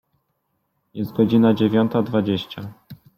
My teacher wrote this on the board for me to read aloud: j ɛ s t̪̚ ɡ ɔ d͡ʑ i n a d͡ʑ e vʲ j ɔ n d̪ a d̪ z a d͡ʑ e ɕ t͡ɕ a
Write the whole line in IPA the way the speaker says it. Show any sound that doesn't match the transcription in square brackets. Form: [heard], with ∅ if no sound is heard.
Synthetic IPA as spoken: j ɛ s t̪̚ ɡ ɔ d͡ʑ i n a d͡ʑ e vʲ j ɔ n [t̪] a d̪ [v] a d͡ʑ e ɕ t͡ɕ a